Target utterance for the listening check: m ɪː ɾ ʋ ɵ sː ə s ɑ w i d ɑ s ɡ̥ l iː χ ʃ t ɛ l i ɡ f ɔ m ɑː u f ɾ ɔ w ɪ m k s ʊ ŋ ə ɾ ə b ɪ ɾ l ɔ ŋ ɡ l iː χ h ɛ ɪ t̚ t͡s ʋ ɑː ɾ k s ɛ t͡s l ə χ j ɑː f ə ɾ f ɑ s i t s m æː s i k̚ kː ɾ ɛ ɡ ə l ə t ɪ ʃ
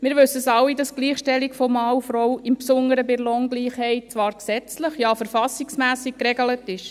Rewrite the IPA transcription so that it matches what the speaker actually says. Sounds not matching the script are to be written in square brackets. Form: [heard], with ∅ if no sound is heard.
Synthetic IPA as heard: m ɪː ɾ ʋ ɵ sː ə s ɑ w i d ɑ s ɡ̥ l iː χ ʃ t ɛ l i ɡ f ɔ m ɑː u f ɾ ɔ w ɪ m [p] s ʊ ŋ ə ɾ ə b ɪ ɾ l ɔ ŋ ɡ l iː χ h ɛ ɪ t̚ t͡s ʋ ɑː ɾ k s ɛ t͡s l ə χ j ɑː f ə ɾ f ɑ s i [k] s m æː s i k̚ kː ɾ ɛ ɡ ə l ə t ɪ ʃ

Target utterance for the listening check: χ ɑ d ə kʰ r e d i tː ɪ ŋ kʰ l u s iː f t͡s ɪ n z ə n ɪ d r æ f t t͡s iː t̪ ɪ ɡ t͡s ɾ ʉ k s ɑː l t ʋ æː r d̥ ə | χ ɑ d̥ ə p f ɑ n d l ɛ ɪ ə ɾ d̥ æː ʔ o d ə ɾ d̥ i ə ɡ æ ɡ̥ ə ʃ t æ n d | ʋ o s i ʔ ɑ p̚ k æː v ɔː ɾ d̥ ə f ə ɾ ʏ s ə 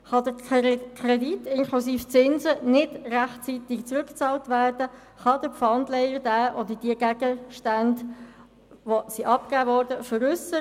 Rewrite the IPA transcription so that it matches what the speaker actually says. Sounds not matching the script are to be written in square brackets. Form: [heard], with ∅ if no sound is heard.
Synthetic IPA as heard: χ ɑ d ə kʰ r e d i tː ɪ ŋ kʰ l u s iː f t͡s ɪ n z ə n ɪ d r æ [χ] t t͡s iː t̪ ɪ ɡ t͡s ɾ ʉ k [t͡s] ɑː l t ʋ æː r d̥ ə | χ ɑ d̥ ə p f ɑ n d l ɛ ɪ ə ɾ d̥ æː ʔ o d ə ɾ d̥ i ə ɡ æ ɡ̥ ə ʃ t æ n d | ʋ o s i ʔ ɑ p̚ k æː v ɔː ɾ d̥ ə f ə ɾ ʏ s ə

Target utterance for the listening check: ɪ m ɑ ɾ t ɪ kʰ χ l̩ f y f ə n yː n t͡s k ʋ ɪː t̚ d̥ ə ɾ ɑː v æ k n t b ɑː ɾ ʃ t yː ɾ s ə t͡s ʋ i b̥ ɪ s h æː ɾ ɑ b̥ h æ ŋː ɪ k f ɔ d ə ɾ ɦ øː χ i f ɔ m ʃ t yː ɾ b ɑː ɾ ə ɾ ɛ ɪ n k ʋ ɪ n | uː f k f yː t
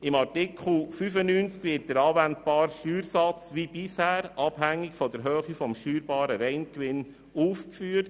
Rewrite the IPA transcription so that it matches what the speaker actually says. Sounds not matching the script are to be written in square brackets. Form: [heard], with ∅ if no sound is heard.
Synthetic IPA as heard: ɪ m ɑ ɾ t ɪ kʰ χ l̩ f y f ə n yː n t͡s k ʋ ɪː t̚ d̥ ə ɾ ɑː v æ [∅] n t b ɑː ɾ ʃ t yː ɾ s [ɑ] t͡s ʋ i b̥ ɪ s h æː ɾ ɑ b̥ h æ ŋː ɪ k f ɔ d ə ɾ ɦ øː χ i f ɔ m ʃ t yː ɾ b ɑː ɾ ə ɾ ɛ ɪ n k ʋ ɪ n | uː f k f yː t

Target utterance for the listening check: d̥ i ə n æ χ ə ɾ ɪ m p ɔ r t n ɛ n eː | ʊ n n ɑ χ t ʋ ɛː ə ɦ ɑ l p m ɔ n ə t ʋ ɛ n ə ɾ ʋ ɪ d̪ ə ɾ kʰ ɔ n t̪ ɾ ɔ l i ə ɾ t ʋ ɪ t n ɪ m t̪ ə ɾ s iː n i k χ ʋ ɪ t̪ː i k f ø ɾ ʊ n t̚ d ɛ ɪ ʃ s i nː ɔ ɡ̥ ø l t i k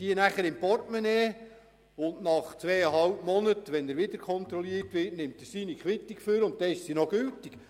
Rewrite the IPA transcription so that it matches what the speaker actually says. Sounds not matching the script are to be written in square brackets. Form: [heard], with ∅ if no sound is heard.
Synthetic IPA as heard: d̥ i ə n æ χ ə ɾ ɪ m p ɔ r t [m] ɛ n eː | ʊ n n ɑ χ [t͡s] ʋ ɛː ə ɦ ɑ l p m ɔ n ə t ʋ ɛ n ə ɾ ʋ ɪ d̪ ə ɾ kʰ ɔ n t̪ ɾ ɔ l i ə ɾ t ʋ ɪ t n ɪ m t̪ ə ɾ s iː n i k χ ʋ ɪ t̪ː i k f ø ɾ ʊ n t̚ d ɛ ɪ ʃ s i [n] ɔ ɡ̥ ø l t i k

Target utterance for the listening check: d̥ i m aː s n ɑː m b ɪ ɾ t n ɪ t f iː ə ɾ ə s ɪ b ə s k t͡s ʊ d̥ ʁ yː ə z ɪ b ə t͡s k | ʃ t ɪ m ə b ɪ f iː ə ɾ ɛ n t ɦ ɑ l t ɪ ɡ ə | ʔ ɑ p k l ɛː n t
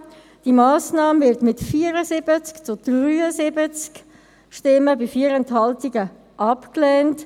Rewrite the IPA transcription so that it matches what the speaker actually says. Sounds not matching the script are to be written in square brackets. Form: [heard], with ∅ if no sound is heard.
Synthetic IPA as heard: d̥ i m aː s n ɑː m [v] ɪ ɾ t [m] ɪ t f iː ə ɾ ə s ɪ b ə [t͡s] k t͡s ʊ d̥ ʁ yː ə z ɪ b ə t͡s k | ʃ t ɪ m ə b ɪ f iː ə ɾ ɛ n t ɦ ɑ l t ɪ ɡ ə | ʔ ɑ p k l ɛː n t

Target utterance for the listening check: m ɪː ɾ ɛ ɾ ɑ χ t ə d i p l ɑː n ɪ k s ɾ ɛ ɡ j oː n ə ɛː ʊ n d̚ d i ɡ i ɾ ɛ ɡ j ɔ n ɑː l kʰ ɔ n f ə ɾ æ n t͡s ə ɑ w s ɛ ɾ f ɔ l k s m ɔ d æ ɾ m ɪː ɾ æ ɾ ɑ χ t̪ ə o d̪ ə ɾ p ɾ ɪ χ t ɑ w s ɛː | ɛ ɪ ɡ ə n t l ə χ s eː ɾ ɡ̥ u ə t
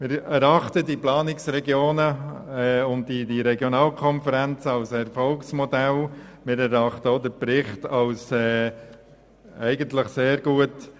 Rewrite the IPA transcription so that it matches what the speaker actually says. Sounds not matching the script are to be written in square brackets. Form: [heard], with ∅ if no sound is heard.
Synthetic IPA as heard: m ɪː ɾ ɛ ɾ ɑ χ t ə d i p l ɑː n ɪ k s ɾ ɛ ɡ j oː n ə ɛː ʊ n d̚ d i [d] i ɾ ɛ ɡ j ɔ n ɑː l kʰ ɔ n f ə ɾ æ n t͡s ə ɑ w s ɛ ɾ f ɔ l k s m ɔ d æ [l] m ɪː ɾ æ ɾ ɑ χ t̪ ə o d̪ ə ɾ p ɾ ɪ χ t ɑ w s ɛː | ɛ ɪ ɡ ə n t l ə χ s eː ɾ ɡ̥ u ə t

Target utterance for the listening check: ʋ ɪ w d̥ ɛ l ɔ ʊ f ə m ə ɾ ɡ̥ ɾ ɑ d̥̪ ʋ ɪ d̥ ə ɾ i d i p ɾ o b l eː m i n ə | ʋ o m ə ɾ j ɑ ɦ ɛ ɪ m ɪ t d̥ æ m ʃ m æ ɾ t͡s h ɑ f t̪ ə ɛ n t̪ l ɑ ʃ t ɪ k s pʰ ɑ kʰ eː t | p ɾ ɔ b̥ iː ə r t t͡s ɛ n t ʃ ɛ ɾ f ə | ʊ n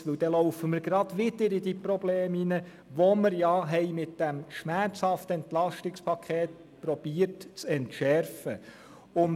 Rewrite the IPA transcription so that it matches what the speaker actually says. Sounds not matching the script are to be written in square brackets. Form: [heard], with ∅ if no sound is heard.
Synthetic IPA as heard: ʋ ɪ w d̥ ɛ l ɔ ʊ f ə m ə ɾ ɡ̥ ɾ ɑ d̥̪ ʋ ɪ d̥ ə ɾ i d i p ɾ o b l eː m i n ə | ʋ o m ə ɾ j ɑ ɦ ɛ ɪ m ɪ t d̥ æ m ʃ m æ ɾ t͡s h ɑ f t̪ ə ɛ n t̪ l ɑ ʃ t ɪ k s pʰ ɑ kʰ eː t | p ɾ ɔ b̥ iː ə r t t͡s ɛ n t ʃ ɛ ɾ f ə | ʊ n

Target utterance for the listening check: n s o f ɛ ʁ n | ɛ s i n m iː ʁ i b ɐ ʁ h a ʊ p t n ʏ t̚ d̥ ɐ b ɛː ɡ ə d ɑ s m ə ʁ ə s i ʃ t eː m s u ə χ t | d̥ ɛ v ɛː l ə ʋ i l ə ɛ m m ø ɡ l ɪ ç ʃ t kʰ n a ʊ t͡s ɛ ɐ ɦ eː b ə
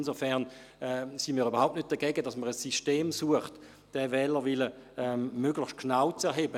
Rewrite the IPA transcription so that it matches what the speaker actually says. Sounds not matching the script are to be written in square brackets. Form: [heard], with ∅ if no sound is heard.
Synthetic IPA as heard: n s o f ɛ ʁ n | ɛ s i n m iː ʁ [y] b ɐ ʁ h a ʊ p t n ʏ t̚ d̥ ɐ [ɡ] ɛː ɡ ə d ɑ s m ə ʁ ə s i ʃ t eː m s u ə χ t | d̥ ɛ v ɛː l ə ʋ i l ə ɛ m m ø ɡ l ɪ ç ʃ t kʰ n a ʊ t͡s ɛ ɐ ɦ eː b ə

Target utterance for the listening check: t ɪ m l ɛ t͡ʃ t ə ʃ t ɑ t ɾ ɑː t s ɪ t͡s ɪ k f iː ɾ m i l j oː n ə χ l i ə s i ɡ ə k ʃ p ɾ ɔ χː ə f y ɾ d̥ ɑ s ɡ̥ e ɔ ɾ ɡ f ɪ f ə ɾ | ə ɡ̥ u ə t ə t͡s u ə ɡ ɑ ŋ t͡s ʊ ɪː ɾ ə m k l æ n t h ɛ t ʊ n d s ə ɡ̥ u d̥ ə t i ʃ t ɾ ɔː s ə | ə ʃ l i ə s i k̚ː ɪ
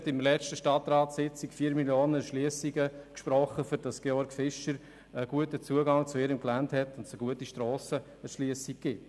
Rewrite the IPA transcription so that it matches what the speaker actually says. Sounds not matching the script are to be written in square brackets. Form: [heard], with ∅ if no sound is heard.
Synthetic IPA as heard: t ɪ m l ɛ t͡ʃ t ə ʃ t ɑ t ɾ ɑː t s ɪ t͡s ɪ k f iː ɾ m i l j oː n ə [ʃ] l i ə s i ɡ ə k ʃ p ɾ ɔ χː ə f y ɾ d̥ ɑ s ɡ̥ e ɔ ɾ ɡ f ɪ [ʃ] ə ɾ | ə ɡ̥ u ə t ə t͡s u ə ɡ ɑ ŋ t͡s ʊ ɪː ɾ ə m k l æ n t h ɛ t ʊ n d s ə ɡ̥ u [∅] ə t i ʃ t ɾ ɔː s ə | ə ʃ l i ə s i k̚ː ɪ

